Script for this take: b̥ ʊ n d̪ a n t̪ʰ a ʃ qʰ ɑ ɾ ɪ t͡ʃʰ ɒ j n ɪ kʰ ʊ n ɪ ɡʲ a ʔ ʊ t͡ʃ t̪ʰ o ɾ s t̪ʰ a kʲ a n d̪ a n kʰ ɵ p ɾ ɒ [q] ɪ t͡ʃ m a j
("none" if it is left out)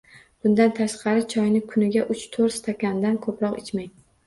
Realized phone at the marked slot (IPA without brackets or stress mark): q